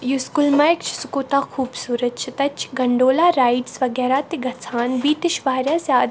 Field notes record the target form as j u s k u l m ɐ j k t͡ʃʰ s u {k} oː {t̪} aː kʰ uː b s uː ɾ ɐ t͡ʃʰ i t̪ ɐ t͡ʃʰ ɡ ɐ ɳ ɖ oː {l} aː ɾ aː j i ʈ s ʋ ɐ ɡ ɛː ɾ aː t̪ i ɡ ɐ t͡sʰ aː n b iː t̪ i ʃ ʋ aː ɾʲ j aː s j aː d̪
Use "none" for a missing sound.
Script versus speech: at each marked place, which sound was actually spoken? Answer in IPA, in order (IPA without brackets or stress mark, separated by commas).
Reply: k, t̪, l